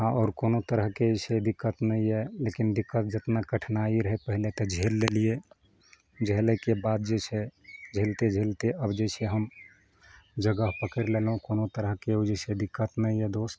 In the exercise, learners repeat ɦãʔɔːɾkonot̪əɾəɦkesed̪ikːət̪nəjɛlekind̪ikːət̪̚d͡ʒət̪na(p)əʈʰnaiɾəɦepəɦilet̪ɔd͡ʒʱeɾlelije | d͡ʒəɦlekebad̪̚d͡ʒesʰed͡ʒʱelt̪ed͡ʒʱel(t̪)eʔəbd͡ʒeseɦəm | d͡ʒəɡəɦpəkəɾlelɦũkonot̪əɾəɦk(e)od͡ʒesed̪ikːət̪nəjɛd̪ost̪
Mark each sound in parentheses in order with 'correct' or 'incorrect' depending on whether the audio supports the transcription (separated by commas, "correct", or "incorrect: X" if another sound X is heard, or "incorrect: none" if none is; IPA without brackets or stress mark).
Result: incorrect: k, correct, correct